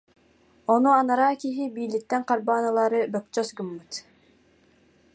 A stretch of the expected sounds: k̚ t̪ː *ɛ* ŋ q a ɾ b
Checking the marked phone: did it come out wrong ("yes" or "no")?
no